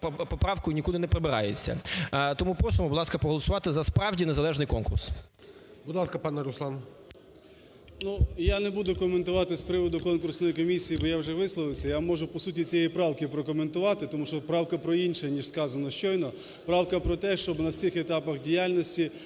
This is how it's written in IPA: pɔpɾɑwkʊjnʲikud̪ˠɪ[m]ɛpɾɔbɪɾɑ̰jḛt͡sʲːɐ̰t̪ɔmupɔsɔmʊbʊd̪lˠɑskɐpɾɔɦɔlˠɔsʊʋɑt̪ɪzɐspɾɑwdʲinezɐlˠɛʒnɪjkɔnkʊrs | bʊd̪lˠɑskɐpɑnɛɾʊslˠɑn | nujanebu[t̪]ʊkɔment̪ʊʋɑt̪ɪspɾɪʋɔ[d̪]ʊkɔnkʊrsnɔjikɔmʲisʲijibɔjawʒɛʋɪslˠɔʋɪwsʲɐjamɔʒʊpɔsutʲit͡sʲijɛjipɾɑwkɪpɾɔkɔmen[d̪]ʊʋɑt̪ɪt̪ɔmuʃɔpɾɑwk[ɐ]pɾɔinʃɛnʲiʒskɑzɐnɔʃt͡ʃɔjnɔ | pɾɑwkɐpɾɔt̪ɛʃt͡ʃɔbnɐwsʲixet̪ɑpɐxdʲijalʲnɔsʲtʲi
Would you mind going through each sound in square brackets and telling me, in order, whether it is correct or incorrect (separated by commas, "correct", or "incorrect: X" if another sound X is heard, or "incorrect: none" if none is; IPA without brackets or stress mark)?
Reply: incorrect: n, incorrect: d̪, correct, incorrect: t̪, correct